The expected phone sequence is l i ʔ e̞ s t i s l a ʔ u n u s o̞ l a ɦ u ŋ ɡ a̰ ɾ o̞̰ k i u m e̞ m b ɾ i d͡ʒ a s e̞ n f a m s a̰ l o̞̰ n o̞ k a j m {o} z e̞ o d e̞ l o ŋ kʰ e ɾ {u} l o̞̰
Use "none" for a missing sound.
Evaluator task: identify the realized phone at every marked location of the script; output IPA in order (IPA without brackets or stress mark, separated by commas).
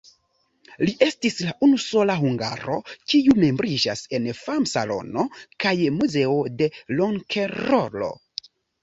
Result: u, o